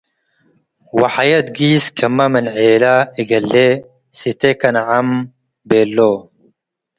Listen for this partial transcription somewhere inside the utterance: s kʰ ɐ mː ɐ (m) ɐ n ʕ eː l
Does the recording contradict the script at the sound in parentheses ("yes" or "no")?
no